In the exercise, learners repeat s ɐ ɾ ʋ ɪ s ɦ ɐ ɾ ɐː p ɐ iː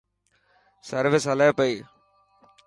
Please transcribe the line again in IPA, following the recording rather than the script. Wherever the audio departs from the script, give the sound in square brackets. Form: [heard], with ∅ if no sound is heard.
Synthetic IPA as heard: s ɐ ɾ ʋ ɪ s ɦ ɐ [l] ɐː p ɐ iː

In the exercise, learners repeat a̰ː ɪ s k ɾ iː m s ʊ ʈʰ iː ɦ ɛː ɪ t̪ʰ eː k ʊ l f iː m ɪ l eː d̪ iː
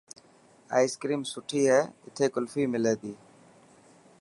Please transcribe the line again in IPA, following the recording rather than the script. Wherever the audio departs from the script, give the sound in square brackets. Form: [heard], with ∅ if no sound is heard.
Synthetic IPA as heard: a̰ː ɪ s k ɾ iː m s ʊ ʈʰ iː ɦ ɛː ɪ t̪ʰ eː k ʊ l f iː m ɪ l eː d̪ iː

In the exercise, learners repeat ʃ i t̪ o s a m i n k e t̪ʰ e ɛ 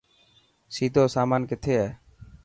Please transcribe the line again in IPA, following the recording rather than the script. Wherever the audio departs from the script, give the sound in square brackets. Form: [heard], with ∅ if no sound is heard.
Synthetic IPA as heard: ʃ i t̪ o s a m [a] n k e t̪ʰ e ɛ

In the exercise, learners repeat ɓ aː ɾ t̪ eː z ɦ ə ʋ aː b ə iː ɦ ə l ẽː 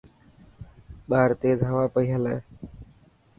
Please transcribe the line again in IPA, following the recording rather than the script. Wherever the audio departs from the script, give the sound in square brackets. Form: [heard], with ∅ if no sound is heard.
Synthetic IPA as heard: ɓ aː ɾ t̪ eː z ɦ ə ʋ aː [p] ə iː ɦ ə l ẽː

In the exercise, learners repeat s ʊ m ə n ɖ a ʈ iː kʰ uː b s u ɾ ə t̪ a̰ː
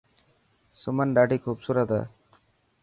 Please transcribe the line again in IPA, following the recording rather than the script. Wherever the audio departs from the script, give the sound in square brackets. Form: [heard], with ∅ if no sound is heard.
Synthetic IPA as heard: s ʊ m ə n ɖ a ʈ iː kʰ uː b s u ɾ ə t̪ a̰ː

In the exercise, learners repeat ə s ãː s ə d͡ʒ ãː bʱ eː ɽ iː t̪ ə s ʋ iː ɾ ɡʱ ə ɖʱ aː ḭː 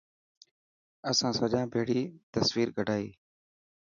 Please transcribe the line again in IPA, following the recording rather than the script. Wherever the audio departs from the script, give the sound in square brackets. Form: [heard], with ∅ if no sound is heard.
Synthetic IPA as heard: ə s ãː s ə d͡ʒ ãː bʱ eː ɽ iː t̪ ə s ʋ iː ɾ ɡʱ ə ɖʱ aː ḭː

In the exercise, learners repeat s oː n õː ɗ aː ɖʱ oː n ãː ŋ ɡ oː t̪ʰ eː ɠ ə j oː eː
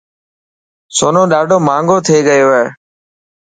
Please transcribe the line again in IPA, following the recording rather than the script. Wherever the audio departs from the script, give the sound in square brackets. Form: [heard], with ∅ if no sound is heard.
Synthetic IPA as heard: s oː n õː ɗ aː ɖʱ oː [m] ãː ŋ ɡ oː t̪ʰ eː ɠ ə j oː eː

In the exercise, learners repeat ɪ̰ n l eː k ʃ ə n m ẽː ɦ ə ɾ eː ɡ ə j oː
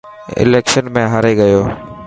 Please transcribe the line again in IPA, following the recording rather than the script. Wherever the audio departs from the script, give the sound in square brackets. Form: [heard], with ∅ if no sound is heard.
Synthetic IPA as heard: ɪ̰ [∅] l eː k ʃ ə n m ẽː ɦ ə ɾ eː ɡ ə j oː

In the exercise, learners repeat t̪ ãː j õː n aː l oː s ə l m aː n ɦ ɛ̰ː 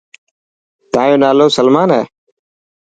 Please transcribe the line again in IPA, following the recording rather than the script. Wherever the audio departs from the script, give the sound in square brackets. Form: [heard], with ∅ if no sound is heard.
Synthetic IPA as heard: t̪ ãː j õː n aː l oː s ə l m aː n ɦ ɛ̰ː

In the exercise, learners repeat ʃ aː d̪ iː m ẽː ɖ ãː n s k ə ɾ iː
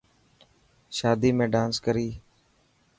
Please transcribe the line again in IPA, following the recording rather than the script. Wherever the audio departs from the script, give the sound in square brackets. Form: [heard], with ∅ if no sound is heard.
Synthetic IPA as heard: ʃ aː d̪ iː m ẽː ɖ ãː n s k ə ɾ iː

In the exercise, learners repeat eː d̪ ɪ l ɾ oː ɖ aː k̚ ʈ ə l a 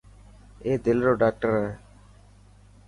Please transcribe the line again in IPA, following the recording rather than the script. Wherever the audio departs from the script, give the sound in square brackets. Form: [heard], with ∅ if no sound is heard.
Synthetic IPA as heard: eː d̪ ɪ l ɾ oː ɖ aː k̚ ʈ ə [ɾ] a

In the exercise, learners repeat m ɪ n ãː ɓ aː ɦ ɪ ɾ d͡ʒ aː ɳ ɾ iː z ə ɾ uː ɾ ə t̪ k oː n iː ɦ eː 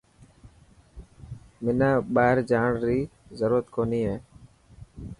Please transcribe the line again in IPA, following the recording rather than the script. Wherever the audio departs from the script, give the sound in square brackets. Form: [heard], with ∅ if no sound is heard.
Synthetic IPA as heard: m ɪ n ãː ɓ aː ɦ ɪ ɾ d͡ʒ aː ɳ ɾ iː z ə ɾ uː ɾ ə t̪ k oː n iː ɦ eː

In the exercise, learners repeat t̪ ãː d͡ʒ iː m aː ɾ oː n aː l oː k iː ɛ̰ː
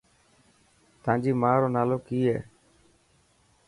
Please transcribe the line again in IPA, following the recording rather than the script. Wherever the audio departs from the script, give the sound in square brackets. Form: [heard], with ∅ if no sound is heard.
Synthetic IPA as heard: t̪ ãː d͡ʒ iː m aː ɾ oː n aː l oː k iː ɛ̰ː

